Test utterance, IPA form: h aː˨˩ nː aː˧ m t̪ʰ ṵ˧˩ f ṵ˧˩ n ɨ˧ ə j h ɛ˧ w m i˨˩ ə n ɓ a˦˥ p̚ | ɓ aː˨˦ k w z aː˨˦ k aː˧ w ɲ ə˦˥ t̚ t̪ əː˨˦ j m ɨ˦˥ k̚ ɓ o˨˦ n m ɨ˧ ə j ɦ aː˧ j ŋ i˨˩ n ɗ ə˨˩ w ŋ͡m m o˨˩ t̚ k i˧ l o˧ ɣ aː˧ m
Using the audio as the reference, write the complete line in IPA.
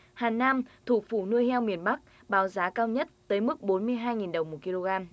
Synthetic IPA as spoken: h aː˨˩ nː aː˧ m t̪ʰ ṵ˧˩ f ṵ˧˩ n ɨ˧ ə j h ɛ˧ w m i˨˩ ə n ɓ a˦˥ k̚ | ɓ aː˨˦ w z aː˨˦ k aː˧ w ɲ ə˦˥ t̚ t̪ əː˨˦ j m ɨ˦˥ k̚ ɓ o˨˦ n m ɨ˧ ə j ɦ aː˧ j ŋ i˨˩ n ɗ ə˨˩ w ŋ͡m m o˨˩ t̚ k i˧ l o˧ ɣ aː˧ m